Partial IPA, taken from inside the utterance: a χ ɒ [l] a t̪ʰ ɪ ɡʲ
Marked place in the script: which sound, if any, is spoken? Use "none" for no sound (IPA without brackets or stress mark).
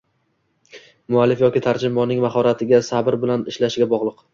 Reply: ɾ